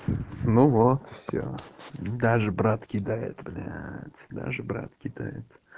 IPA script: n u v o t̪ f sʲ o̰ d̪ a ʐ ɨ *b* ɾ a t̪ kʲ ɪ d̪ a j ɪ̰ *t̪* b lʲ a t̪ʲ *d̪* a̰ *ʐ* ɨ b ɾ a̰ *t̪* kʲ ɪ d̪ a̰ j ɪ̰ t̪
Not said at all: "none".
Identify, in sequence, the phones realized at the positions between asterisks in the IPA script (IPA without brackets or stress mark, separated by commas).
b, t̪, d̪, ʐ, t̪